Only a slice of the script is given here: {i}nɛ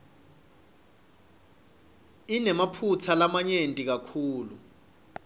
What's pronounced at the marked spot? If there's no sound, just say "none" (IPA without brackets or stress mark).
i